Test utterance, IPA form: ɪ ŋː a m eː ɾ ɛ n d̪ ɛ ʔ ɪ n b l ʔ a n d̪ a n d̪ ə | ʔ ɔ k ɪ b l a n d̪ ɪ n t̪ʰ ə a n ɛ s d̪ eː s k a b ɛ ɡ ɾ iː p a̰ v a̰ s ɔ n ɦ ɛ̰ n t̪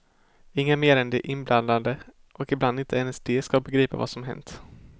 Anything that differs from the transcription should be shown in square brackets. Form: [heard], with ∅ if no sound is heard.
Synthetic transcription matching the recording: ɪ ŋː a m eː ɾ ɛ n d̪ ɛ ʔ ɪ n b l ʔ a n d̪ a n d̪ ə | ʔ ɔ k ɪ b l a n d̪ ɪ n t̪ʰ ə [ɛ] n ɛ s d̪ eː s k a b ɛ ɡ ɾ iː p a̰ v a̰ s ɔ [m] ɦ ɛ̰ n t̪